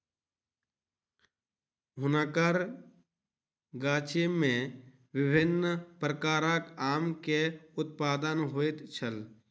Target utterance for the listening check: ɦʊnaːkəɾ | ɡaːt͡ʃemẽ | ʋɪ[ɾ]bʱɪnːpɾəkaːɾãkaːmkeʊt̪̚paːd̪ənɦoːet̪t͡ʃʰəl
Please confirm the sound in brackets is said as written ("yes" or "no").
no